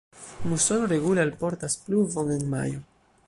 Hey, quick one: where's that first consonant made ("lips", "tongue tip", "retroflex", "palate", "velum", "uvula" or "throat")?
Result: lips